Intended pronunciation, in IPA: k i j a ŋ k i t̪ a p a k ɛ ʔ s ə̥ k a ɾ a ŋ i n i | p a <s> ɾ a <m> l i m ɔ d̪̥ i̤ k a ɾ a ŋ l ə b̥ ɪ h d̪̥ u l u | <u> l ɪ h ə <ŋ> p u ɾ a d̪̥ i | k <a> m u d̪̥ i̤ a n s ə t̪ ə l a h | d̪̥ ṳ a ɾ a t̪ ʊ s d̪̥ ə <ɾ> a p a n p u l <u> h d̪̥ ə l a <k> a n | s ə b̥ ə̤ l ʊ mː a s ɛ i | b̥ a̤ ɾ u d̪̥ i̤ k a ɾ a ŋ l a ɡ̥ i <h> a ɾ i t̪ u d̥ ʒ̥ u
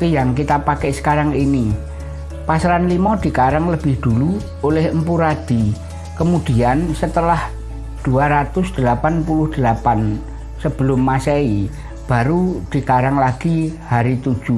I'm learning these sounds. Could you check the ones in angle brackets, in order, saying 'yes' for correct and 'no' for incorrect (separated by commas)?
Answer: yes, no, no, no, no, no, no, no, yes